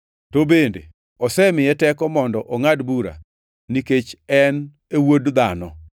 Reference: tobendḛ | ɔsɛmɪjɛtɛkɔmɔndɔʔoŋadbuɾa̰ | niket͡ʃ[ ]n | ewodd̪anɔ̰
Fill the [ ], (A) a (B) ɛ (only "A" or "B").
B